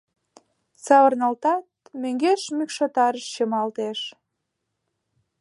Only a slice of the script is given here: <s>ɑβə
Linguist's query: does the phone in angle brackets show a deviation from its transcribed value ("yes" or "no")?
no